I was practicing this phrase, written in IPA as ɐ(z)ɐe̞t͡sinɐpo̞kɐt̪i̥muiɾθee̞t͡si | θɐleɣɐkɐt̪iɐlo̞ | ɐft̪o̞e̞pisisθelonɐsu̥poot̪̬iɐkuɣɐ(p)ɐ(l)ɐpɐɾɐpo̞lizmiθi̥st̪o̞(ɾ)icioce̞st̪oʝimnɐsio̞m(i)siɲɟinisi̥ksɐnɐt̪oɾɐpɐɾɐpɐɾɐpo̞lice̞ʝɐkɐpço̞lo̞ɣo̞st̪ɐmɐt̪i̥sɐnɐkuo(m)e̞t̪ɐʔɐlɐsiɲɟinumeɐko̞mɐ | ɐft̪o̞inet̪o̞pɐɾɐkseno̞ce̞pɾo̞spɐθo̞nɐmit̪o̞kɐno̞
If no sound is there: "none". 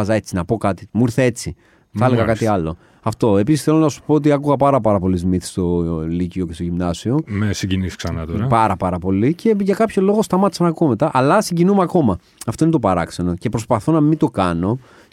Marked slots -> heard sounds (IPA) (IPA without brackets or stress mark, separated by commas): z, p, ɾ, l, e, m